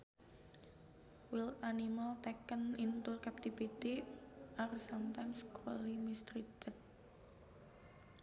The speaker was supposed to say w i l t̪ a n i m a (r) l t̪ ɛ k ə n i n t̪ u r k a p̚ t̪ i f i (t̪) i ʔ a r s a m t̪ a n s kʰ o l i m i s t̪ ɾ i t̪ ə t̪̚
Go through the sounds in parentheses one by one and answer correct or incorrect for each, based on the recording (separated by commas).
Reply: incorrect, correct